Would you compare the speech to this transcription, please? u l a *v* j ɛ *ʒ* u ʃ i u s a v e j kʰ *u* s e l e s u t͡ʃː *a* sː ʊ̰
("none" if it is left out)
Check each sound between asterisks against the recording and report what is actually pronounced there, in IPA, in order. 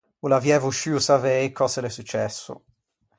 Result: v, v, ɔ, ɛ

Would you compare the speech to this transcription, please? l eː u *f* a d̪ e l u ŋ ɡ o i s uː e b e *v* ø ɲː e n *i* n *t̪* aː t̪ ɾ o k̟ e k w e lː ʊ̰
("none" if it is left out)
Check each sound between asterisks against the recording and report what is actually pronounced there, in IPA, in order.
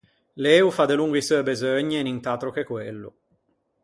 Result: f, z, i, t̪

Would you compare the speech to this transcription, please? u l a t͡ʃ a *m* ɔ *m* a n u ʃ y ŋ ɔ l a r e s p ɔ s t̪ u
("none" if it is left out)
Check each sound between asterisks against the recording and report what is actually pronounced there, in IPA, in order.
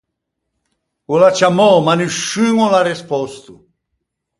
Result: m, m

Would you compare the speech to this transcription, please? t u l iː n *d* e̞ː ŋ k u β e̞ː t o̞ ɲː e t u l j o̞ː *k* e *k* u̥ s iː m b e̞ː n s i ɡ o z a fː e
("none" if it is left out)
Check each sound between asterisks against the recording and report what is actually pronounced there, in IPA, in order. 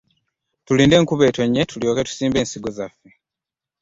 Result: d, k, t

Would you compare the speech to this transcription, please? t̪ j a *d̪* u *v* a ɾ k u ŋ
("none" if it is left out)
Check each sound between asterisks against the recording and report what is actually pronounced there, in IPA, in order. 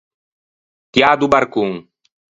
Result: d̪, b

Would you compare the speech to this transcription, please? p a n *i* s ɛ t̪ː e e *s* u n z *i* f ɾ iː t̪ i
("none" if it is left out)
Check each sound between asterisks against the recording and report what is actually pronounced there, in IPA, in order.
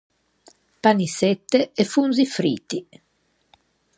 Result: i, f, i

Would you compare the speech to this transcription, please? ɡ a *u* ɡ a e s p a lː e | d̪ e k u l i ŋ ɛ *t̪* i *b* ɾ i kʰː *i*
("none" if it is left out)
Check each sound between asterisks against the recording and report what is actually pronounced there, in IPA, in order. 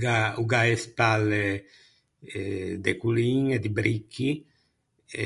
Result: u, d̪, b, i

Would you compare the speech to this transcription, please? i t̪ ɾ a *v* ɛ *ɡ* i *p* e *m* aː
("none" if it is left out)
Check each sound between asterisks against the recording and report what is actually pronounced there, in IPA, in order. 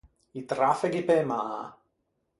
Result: f, ɡ, p, m

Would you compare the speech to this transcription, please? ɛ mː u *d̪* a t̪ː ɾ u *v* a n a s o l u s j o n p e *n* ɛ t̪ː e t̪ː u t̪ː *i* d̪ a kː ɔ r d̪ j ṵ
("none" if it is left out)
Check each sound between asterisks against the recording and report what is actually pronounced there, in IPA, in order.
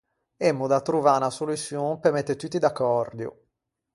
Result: d̪, v, m, i

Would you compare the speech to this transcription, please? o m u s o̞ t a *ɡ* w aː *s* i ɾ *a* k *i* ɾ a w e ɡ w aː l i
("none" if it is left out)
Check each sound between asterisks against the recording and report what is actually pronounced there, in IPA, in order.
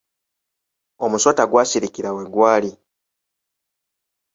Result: ɡ, s, i, i

